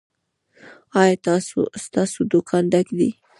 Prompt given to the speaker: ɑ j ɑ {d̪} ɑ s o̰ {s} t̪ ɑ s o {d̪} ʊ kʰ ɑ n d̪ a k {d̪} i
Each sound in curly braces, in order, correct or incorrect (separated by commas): incorrect, correct, correct, correct